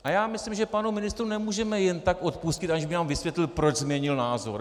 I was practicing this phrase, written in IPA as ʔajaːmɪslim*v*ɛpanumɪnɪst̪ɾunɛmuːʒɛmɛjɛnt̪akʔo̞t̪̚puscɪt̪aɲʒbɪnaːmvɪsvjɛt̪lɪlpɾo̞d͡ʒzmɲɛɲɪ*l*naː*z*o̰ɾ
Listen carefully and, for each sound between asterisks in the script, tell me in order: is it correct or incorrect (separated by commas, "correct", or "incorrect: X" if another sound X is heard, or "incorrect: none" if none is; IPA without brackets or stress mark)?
incorrect: ʒ, correct, correct